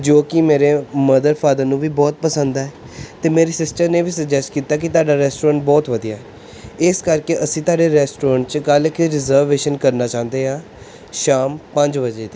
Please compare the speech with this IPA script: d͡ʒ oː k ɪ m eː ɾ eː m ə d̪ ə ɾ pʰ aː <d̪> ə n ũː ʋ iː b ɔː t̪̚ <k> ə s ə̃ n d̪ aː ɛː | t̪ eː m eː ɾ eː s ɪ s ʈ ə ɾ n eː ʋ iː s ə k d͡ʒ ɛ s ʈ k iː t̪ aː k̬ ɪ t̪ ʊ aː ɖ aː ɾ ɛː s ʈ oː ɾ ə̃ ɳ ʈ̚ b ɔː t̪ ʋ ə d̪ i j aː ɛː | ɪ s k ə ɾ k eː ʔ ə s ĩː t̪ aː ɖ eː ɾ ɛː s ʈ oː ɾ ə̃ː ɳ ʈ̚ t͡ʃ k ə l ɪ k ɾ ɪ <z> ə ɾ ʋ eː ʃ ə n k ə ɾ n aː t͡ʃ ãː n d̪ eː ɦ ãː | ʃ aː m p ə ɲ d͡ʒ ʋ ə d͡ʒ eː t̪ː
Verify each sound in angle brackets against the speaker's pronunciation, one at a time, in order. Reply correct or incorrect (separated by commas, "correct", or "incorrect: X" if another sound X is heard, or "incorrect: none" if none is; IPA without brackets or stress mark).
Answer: correct, incorrect: p, correct